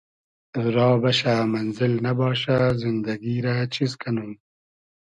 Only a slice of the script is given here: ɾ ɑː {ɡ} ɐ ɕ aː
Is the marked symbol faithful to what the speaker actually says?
no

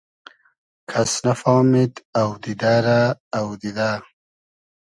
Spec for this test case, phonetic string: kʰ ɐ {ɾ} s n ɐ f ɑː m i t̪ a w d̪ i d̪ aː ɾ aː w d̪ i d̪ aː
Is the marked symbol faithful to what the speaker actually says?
no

